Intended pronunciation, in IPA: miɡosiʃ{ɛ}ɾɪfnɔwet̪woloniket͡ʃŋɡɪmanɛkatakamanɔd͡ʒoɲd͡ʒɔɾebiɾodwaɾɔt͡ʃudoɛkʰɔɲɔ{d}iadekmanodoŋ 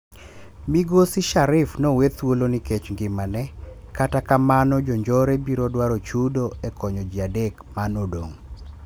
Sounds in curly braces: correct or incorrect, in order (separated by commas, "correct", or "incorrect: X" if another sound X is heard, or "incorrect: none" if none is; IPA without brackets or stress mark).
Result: incorrect: a, incorrect: d͡ʒ